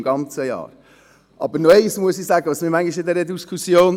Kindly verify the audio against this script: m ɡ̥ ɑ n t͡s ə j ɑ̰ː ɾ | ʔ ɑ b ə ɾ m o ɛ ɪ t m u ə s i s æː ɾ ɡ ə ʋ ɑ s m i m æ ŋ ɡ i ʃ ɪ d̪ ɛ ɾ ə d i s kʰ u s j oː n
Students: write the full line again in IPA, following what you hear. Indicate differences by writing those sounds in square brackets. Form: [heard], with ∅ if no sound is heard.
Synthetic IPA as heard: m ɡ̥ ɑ n t͡s ə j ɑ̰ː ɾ | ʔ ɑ b ə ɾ [n] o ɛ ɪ [s] m u ə s i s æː [∅] ɡ ə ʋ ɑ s m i m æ ŋ ɡ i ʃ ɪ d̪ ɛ ɾ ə d i s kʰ u s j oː n